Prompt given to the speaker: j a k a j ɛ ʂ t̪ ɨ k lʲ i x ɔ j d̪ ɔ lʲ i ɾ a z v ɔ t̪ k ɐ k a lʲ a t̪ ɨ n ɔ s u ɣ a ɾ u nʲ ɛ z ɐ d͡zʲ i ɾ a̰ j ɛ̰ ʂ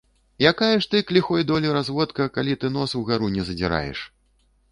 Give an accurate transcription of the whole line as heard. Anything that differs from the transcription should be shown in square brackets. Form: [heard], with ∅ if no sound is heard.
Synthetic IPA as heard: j a k a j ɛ ʂ t̪ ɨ k lʲ i x ɔ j d̪ ɔ lʲ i ɾ a z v ɔ t̪ k ɐ k a lʲ [i] t̪ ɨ n ɔ s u ɣ a ɾ u nʲ ɛ z ɐ d͡zʲ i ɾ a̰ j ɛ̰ ʂ

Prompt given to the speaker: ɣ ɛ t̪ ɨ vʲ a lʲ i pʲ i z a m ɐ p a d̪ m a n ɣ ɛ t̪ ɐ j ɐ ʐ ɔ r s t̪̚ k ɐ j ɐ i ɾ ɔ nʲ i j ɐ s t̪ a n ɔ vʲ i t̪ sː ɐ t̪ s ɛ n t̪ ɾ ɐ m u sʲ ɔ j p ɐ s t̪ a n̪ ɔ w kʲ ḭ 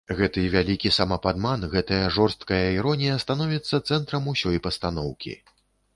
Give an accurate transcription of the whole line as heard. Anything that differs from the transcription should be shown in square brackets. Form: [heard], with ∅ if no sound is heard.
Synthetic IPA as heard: ɣ ɛ t̪ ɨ vʲ a lʲ i [kʲ] i [s] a m ɐ p a d̪ m a n ɣ ɛ t̪ ɐ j ɐ ʐ ɔ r s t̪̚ k ɐ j ɐ i ɾ ɔ nʲ i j ɐ s t̪ a n ɔ vʲ i t̪ sː ɐ t̪ s ɛ n t̪ ɾ ɐ m u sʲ ɔ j p ɐ s t̪ a n̪ ɔ w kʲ ḭ

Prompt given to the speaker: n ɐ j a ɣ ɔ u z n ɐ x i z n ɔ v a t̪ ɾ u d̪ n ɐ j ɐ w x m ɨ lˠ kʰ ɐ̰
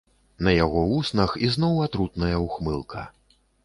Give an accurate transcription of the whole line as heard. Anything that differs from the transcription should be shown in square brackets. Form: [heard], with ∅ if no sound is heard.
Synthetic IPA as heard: n ɐ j a ɣ ɔ u [s] n ɐ x i z n ɔ [w] a t̪ ɾ u [t̪] n ɐ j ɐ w x m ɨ lˠ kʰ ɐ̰

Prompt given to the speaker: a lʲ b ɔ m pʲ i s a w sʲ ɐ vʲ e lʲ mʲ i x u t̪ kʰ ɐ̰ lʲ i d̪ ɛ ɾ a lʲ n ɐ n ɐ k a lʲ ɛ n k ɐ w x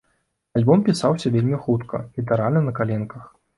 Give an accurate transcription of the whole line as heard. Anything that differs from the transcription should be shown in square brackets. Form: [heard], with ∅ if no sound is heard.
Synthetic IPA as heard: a lʲ b ɔ m pʲ i s a w sʲ ɐ vʲ e lʲ mʲ i x u t̪ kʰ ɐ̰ lʲ i [t̪] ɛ ɾ a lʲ n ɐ n ɐ k a lʲ ɛ n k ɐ [∅] x

